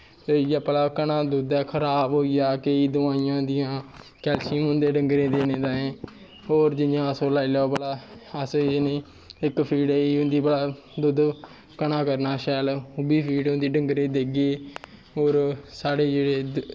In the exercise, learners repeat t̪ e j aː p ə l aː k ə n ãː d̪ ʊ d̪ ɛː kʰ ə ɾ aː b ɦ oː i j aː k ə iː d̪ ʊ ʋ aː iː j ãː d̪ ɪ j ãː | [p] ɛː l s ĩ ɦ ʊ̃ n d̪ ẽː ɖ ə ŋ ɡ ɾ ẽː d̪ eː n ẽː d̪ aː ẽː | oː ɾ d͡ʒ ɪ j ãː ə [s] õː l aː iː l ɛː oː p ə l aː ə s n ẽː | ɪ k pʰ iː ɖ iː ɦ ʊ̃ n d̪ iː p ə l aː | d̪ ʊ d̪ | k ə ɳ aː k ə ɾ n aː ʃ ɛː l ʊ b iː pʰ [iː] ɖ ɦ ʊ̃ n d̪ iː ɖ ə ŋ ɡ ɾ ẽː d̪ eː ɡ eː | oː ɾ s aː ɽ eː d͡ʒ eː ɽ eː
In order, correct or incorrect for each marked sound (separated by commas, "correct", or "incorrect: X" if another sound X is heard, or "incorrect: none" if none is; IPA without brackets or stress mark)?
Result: incorrect: k, correct, correct